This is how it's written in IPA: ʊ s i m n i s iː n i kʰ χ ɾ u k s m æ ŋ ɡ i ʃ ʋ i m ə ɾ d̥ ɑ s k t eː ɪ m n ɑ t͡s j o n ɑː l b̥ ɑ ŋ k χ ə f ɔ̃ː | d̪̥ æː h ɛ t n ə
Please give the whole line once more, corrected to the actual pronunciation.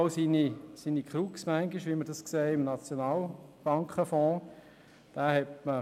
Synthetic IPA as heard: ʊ s i n i s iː n i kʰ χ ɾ u k s m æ ŋ ɡ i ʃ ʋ i m ə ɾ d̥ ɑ s k s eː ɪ m n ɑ t͡s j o n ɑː l b̥ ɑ ŋ k χ ə f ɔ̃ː | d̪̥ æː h ɛ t m ə